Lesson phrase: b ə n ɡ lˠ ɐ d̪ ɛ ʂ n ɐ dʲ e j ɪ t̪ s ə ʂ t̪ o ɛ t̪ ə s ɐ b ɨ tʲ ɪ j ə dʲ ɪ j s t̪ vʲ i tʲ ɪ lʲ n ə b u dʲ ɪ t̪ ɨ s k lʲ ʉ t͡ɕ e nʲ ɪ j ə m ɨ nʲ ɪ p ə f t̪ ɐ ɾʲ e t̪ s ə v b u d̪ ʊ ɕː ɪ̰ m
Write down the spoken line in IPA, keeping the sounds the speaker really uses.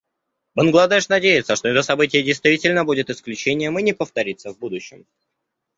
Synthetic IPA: b ə n ɡ lˠ ɐ d̪ ɛ ʂ n ɐ dʲ e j ɪ t̪ s ə ʂ t̪ o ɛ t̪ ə s ɐ b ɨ tʲ ɪ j ə dʲ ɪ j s t̪ vʲ i tʲ ɪ lʲ n ə b u dʲ ɪ t̪ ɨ s k lʲ ʉ t͡ɕ e nʲ ɪ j ə m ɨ nʲ ɪ p ə f t̪ ɐ ɾʲ i t̪ s ə v b u d̪ ʊ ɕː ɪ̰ m